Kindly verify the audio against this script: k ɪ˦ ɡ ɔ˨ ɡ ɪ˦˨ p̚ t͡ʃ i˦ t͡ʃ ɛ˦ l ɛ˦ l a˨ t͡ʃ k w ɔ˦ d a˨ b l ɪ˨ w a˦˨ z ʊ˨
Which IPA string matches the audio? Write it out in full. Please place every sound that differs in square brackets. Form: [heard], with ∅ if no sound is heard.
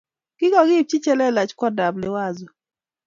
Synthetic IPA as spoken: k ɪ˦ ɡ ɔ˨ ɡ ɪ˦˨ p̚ t͡ʃ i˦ t͡ʃ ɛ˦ l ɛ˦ l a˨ t͡ʃ k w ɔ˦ d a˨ b l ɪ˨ w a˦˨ z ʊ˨